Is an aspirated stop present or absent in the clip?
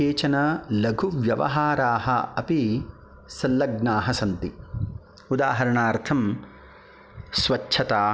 present